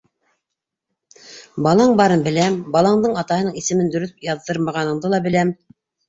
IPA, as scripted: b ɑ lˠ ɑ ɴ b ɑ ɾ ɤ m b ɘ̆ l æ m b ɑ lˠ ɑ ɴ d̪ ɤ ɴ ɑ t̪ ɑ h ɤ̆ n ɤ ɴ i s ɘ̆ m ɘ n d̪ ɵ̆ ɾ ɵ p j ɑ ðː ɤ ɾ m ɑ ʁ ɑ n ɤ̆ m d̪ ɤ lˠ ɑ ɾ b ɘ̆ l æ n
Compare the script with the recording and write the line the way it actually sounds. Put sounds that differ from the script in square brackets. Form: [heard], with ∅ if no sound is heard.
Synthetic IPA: b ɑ lˠ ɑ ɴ b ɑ ɾ ɤ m b ɘ̆ l æ m b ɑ lˠ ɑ ɴ d̪ ɤ ɴ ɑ t̪ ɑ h ɤ̆ n ɤ ɴ i s ɘ̆ m ɘ n d̪ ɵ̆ ɾ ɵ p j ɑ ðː ɤ ɾ m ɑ ʁ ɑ n ɤ̆ [ɴ] d̪ ɤ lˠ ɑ [∅] b ɘ̆ l æ [m]

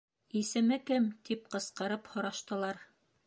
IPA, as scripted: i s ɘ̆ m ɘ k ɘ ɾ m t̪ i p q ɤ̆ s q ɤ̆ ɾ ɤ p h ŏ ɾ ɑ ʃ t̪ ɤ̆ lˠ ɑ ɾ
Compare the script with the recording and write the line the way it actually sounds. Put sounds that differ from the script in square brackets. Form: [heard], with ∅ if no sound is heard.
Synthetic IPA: i s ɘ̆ m ɘ k ɘ [∅] m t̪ i p q ɤ̆ s q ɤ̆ ɾ ɤ p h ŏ ɾ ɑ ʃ t̪ ɤ̆ lˠ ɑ ɾ

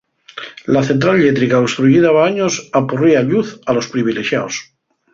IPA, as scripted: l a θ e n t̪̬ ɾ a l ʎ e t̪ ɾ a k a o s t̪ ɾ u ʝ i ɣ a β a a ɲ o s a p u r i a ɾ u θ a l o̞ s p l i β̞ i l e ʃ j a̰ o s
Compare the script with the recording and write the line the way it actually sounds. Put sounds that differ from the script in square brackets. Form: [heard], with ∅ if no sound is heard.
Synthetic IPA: l a θ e n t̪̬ ɾ a l ʎ e t̪ ɾ [i] k a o s t̪ ɾ u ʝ i [ð] a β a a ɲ o s a p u r i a [ʎ] u θ a l o̞ s p [ɾ] i β̞ i l e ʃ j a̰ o s

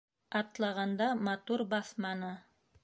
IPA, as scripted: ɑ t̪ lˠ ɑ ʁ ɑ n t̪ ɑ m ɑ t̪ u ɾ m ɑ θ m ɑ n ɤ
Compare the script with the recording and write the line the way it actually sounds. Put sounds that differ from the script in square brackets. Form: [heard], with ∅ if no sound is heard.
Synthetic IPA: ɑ t̪ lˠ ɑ ʁ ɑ n [d̪] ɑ m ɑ t̪ u ɾ [b] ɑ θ m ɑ n ɤ

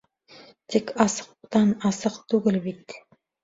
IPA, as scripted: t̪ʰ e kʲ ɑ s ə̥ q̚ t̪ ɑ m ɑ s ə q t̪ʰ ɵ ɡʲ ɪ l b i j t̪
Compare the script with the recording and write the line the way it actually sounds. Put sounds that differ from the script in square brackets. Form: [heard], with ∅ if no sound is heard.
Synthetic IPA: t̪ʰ e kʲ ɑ s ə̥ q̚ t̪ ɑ [n] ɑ s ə q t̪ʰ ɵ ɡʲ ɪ l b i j t̪

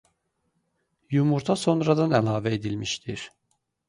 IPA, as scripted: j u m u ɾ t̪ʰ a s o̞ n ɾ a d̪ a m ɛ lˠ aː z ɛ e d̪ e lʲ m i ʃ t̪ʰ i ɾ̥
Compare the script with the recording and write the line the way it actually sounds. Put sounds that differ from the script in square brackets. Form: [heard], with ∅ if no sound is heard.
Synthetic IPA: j u m u ɾ t̪ʰ a s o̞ n ɾ a d̪ a [n] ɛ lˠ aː [v] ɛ e d̪ [i] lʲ m i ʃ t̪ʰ i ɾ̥

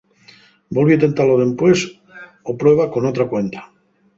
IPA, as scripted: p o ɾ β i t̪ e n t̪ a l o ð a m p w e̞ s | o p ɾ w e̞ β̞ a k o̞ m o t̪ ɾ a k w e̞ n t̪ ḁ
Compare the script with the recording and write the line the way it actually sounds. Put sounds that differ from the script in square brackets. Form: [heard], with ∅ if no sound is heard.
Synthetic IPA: [b] o [l] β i t̪ e n t̪ a l o ð [e] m p w e̞ s | o p ɾ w e̞ β̞ a k o̞ [n] o t̪ ɾ a k w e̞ n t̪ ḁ

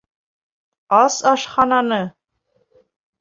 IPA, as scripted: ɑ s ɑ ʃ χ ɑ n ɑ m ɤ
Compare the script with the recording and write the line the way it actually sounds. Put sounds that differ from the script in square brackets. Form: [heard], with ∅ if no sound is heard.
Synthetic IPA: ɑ s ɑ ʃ χ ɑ n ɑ [n] ɤ

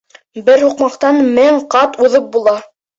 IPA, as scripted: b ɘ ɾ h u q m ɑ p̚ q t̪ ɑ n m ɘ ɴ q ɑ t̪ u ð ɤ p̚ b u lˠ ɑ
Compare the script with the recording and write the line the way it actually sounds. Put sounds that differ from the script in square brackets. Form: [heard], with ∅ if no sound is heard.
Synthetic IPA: b ɘ ɾ h u q m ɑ [∅] q t̪ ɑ n m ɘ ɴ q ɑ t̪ u ð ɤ p̚ b u lˠ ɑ

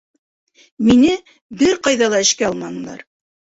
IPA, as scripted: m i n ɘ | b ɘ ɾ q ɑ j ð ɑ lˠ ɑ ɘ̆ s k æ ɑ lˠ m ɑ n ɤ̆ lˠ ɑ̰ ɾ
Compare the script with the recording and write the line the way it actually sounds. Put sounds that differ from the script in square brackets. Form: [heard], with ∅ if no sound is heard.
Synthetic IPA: m i n ɘ | b ɘ ɾ q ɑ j ð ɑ lˠ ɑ ɘ̆ [ʃ] k æ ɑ lˠ m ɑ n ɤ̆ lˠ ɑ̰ ɾ

